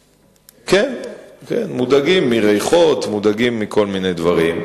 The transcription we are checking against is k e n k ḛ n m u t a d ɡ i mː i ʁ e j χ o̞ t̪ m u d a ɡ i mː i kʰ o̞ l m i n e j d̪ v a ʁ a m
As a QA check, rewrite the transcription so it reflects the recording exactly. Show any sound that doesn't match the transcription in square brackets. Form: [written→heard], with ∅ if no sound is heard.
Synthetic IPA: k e n k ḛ n m u [t→d] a [d→∅] ɡ i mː i ʁ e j χ o̞ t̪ m u d a ɡ i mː i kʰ o̞ l m i n e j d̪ v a ʁ [a→i] m